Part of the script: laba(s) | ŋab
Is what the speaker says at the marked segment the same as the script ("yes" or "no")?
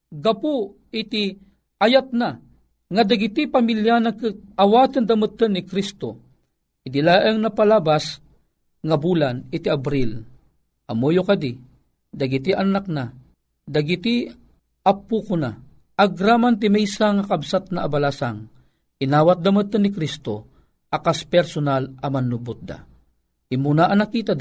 yes